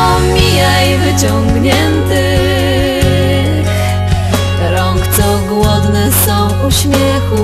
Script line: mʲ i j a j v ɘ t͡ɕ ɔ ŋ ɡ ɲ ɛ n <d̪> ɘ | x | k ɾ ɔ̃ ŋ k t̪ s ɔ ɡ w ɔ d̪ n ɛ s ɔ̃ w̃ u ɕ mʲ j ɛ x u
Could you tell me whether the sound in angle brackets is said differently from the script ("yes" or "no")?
yes